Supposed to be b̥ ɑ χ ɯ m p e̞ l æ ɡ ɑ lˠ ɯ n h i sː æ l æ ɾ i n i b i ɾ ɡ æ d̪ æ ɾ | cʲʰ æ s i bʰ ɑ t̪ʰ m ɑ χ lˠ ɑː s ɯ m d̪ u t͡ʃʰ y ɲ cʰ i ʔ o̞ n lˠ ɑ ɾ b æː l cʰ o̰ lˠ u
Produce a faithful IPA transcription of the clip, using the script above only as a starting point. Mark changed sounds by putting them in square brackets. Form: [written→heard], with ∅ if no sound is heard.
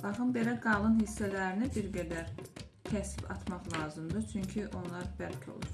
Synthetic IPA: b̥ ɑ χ ɯ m [p→b] e̞ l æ ɡ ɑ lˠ ɯ n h i sː æ l æ ɾ i n i b i ɾ ɡ æ d̪ æ ɾ | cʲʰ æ s i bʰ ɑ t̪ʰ m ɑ χ lˠ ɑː [s→z] ɯ m d̪ [u→ɯ] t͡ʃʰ y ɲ cʰ i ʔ o̞ n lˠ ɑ ɾ b [æː→æ] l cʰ o̰ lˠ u